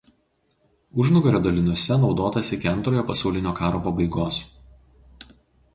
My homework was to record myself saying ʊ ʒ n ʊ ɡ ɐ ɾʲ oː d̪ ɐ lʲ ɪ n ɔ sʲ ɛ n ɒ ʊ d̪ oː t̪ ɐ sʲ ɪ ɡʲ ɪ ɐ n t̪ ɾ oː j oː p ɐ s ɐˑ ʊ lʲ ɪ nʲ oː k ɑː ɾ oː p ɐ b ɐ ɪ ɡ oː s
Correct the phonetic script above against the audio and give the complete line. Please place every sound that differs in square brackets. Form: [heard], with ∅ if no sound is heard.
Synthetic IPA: ʊ ʒ n ʊ ɡ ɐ ɾʲ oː d̪ ɐ lʲ ɪ n ɔ sʲ ɛ n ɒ ʊ d̪ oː t̪ ɐ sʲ ɪ [kʲ] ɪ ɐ n t̪ ɾ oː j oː p ɐ s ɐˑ ʊ lʲ ɪ nʲ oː k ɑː ɾ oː p ɐ b ɐ ɪ ɡ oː s